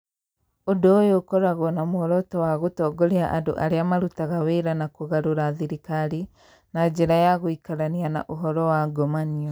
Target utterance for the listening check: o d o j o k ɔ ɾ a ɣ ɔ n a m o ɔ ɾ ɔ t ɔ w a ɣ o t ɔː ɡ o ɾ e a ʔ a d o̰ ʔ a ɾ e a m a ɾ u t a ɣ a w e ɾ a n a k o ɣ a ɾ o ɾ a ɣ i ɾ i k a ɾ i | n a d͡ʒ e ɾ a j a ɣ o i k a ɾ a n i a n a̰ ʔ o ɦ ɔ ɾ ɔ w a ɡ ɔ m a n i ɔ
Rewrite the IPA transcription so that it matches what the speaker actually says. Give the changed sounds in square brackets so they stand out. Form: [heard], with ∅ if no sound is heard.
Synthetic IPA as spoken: o d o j o k ɔ ɾ a ɣ ɔ n a m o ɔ ɾ ɔ t ɔ w a ɣ o t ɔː ɡ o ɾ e a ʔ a d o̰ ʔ a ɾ e a m a ɾ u t a ɣ a w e ɾ a n a k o ɣ a ɾ o ɾ a [ð] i ɾ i k a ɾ i | n a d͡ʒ e ɾ a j a ɣ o i k a ɾ a n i a n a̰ ʔ o ɦ ɔ ɾ ɔ w a ɡ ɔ m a n i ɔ